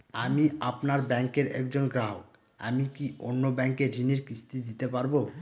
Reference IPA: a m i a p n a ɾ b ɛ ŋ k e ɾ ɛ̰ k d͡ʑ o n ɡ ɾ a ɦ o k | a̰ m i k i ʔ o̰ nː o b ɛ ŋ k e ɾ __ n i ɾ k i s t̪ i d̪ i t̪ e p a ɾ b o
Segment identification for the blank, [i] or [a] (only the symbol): i